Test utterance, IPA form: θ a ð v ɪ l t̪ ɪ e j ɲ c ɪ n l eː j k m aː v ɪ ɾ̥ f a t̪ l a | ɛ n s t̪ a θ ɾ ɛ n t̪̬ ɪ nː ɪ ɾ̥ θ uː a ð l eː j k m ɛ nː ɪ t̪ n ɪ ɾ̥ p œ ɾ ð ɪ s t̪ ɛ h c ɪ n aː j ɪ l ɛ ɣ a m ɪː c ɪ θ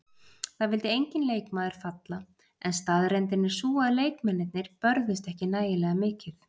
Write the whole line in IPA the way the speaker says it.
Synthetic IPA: θ a ð v ɪ l t̪ ɪ e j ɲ c ɪ n l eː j k m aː ð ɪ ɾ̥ f a t̪ l a | ɛ n s t̪ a ð ɾ ɛ n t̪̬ ɪ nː ɪ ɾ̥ s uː a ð l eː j k m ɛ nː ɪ t̪ n ɪ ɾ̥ p œ ɾ ð ɪ s t̪ ɛ h c ɪ n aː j ɪ l ɛ ɣ a m ɪː c ɪ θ